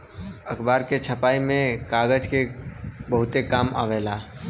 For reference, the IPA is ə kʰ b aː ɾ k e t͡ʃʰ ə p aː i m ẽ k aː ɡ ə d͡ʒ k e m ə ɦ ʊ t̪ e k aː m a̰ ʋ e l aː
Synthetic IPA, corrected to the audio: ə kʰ b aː ɾ k e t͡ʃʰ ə p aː i m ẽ k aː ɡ ə d͡ʒ k e b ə ɦ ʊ t̪ e k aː m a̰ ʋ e l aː